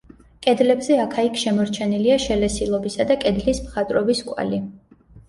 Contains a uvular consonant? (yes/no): yes